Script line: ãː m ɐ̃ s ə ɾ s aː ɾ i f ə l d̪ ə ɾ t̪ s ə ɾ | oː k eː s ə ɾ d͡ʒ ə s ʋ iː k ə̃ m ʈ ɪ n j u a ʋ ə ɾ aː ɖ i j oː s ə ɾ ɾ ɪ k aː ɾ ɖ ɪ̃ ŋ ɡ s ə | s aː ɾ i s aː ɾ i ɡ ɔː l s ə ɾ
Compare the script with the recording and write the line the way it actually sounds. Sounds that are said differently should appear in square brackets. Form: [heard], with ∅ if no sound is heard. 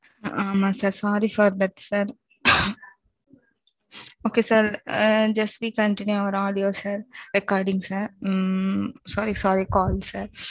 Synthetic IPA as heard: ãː m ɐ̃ s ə ɾ s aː ɾ i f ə [ɾ] d̪ ə ɾ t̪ s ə ɾ | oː k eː s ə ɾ d͡ʒ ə s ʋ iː k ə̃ [ɳ] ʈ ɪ n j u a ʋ ə ɾ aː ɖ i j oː s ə ɾ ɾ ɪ k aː ɾ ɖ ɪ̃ ŋ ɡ s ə | s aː ɾ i s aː ɾ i [k] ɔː l s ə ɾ